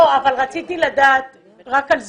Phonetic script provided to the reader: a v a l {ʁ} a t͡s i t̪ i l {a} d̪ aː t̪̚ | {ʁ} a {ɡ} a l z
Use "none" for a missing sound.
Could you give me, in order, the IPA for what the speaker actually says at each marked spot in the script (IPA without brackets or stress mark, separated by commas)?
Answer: ʁ, a, ʁ, k